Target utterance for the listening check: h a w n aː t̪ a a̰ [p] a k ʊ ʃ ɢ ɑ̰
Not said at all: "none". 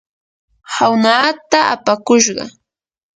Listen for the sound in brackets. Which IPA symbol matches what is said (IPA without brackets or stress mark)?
p